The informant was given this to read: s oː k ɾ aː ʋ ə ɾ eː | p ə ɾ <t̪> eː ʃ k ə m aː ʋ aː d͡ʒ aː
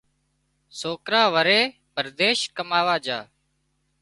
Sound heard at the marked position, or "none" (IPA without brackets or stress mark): d̪